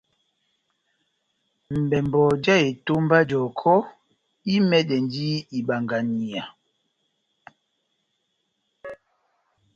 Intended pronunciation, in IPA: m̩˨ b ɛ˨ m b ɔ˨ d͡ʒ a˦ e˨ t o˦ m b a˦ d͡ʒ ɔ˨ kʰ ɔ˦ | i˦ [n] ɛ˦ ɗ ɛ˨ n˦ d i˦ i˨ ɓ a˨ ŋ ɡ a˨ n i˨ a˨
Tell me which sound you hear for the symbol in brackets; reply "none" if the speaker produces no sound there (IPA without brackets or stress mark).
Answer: m